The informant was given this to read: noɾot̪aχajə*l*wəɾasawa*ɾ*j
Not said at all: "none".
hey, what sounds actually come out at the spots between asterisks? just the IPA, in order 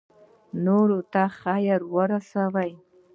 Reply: ɾ, none

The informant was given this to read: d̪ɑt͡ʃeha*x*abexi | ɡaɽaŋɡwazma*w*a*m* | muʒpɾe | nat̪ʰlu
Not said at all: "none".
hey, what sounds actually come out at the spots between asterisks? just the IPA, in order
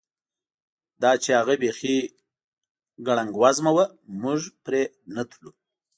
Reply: ɣ, w, none

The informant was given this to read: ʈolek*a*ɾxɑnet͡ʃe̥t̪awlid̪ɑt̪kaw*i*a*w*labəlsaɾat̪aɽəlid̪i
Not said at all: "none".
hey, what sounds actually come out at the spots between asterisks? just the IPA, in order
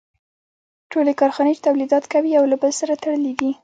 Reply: ɑ, i, w

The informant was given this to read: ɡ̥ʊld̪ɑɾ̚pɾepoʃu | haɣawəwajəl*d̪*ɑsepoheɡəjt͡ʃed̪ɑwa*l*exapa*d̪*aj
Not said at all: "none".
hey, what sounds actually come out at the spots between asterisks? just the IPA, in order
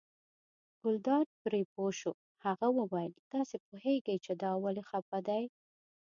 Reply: t̪, l, d̪

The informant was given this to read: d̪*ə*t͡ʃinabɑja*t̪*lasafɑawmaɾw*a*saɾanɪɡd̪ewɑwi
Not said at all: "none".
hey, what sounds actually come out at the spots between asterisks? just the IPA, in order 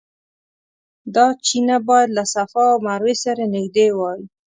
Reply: ɑ, d̪, e

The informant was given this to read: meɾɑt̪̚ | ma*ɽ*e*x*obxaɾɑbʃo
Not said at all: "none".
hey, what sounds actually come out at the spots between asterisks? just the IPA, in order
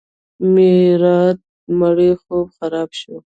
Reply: ɽ, x

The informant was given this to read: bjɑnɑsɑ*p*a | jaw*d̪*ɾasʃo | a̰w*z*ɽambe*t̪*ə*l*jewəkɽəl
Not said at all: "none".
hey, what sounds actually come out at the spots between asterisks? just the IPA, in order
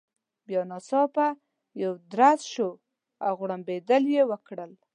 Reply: p, d̪, ɣ, d̪, l

